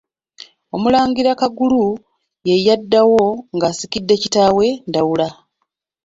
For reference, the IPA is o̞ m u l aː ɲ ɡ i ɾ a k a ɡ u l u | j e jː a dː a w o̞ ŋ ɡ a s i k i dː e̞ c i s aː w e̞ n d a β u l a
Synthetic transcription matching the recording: o̞ m u l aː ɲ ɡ i ɾ a k a ɡ u l u | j e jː a dː a w o̞ ŋ ɡ a s i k i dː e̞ c i t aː w e̞ n d a w u l a